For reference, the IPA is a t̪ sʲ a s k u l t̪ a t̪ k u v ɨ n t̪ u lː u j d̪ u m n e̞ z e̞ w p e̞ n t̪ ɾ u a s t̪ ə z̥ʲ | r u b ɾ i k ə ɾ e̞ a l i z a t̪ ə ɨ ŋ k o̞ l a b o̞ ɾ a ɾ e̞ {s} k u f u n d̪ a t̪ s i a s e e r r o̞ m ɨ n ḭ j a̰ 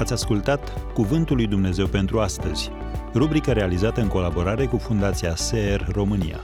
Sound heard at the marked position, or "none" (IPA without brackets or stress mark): none